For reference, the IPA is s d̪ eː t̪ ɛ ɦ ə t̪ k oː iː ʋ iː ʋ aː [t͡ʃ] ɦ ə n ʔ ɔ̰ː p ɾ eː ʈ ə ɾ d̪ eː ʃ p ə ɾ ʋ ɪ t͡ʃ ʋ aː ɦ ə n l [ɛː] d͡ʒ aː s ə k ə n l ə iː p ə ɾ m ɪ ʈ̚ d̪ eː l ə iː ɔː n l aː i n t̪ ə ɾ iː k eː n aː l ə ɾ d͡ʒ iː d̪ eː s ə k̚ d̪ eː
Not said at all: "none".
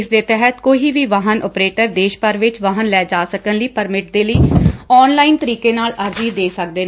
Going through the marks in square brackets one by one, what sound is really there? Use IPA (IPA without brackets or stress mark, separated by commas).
none, ɛː